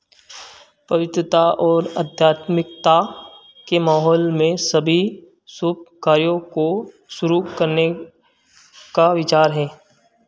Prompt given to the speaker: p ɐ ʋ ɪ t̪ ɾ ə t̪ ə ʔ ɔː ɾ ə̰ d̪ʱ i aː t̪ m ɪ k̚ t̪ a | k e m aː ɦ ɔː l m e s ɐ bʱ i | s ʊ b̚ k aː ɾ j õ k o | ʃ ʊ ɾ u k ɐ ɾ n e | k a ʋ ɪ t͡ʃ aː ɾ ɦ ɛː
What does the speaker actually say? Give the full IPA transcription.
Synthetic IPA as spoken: p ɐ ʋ ɪ t̪ ɾ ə t̪ a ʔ ɔː ɾ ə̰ d̪ʱ j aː t̪ m ɪ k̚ t̪ a | k e m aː ɦ ɔː l m ẽ s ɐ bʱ i | s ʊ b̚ k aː ɾ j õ k o | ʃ ʊ ɾ u k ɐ ɾ n e | k a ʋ ɪ t͡ʃ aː ɾ ɦ ɛː

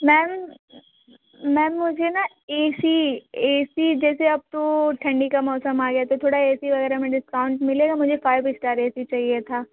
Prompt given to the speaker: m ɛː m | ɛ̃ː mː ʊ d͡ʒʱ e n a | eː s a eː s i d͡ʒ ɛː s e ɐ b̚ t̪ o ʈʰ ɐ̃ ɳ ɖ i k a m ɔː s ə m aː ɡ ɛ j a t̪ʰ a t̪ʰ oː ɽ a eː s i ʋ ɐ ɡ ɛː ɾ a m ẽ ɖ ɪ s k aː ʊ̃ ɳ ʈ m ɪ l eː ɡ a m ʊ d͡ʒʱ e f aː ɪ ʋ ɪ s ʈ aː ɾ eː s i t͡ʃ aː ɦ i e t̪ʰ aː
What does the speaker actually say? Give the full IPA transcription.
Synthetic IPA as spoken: m ɛː m | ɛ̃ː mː ʊ d͡ʒʱ e n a | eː s i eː s i d͡ʒ ɛː s e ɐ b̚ t̪ o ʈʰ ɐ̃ ɳ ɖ i k a m ɔː s ə m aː ɡ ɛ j a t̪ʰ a t̪ʰ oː ɽ a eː s i ʋ ɐ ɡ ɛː ɾ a m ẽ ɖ ɪ s k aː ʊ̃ ɳ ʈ m ɪ l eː ɡ a m ʊ d͡ʒʱ e f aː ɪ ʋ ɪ s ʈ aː ɾ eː s i t͡ʃ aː ɦ i e t̪ʰ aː

